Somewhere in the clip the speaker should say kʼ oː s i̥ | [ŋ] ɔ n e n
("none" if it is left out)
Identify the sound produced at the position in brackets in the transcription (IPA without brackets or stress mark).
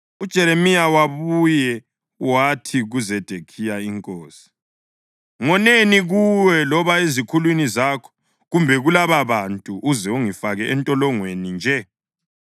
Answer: ŋ